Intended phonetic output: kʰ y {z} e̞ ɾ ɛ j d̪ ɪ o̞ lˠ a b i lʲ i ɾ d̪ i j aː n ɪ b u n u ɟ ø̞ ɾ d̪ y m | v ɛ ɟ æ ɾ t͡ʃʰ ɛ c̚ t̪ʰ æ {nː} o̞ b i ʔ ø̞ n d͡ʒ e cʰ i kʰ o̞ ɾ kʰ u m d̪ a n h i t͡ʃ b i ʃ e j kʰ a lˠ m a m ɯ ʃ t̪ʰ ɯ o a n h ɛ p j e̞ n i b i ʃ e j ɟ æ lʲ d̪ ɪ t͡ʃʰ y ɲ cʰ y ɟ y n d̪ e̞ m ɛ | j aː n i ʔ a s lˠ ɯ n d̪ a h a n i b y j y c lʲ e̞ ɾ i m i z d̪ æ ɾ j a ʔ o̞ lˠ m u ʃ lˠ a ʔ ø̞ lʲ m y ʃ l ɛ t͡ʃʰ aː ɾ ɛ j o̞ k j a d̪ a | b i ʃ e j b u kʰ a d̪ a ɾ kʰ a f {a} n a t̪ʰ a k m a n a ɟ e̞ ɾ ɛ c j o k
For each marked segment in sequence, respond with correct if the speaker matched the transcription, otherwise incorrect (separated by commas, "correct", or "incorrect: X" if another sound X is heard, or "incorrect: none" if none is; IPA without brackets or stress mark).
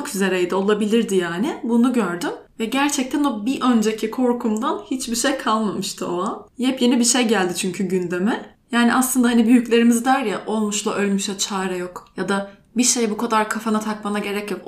correct, incorrect: n, correct